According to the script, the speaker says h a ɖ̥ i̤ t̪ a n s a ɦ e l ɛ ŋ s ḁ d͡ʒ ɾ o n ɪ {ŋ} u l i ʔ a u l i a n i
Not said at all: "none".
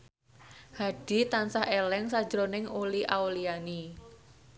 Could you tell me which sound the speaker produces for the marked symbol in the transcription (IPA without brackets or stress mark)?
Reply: ŋ